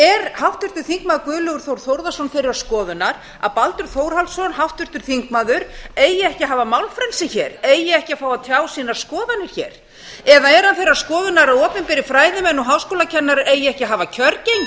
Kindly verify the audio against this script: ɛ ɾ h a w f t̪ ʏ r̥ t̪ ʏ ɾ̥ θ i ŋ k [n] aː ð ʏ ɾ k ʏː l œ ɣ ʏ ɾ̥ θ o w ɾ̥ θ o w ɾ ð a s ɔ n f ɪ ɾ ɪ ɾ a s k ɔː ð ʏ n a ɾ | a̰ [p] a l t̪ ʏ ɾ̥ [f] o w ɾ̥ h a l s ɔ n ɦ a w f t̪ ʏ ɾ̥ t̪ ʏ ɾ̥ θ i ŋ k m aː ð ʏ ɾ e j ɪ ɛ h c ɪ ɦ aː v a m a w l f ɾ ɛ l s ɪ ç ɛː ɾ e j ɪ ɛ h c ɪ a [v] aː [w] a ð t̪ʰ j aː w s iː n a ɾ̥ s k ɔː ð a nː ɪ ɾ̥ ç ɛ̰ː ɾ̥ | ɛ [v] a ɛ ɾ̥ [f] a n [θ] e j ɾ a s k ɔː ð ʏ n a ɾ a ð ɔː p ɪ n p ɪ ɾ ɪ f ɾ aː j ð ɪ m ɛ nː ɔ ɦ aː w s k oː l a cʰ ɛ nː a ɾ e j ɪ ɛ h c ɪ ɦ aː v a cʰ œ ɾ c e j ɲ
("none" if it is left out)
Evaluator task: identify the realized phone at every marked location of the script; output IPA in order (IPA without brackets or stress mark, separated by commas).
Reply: m, p, θ, f, w, ð, h, θ